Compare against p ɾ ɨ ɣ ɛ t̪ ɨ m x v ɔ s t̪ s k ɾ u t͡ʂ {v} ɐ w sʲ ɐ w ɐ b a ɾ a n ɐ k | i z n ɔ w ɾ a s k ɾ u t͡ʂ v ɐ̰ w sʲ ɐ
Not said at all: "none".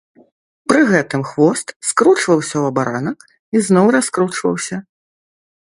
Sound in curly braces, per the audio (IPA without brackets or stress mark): v